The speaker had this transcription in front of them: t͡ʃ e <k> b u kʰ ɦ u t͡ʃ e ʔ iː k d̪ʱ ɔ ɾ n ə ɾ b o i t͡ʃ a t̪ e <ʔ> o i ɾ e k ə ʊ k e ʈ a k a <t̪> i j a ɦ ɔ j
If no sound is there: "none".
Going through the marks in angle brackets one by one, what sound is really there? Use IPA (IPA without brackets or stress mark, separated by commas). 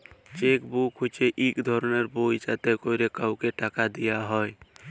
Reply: k, k, d̪